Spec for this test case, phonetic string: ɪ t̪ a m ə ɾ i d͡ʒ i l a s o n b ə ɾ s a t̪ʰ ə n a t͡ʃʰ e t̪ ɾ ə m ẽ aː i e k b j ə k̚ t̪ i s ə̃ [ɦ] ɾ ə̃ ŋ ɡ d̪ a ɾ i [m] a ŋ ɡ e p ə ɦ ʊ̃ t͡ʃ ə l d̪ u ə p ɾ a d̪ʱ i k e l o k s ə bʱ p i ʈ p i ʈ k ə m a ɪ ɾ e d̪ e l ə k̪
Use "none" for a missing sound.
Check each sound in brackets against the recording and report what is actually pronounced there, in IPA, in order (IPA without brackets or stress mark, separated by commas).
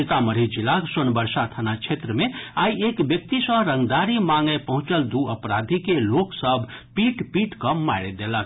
ɦ, m